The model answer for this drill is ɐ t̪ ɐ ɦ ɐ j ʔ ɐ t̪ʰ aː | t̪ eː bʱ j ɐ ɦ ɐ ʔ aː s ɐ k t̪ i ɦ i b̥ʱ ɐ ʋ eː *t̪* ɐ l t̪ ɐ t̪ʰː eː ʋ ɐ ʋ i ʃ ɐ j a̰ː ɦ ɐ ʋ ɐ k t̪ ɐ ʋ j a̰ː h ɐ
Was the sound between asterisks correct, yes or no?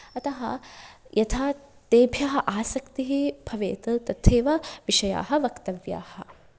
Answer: yes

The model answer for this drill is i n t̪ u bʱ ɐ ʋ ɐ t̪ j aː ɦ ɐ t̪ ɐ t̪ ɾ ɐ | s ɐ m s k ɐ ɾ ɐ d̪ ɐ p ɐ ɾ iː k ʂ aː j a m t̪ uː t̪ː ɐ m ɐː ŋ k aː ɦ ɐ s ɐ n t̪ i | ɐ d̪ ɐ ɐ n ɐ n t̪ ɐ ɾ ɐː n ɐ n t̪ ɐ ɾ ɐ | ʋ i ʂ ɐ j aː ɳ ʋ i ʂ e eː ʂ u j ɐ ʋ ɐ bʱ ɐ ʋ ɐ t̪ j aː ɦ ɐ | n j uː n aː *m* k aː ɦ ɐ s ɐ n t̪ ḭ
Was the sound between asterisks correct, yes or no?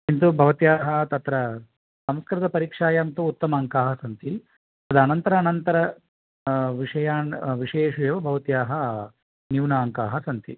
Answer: no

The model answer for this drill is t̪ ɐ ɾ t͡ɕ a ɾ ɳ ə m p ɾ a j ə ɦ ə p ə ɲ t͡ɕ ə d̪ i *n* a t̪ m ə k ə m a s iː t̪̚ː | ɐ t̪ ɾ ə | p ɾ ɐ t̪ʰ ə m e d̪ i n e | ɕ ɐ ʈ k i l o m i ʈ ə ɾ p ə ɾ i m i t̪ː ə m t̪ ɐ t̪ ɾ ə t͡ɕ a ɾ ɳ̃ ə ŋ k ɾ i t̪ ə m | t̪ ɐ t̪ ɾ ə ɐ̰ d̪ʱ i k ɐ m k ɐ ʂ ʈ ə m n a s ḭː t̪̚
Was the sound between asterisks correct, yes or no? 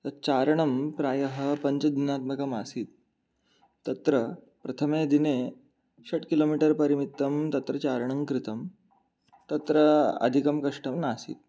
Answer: yes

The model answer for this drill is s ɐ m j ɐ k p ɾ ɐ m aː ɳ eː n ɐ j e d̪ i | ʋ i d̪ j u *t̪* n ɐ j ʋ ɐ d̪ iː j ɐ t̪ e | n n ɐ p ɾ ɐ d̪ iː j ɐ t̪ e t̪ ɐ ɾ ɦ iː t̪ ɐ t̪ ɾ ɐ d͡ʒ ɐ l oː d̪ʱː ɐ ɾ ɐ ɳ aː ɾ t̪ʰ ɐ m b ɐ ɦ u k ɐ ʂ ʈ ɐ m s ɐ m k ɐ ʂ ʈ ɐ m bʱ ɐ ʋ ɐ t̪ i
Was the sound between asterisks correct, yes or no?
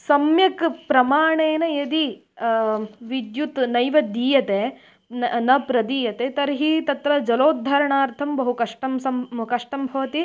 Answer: yes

